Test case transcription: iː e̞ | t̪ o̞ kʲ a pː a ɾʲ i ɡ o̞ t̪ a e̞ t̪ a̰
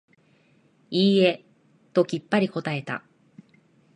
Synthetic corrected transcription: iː e̞ | t̪ o̞ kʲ i pː a ɾʲ i k o̞ t̪ a e̞ t̪ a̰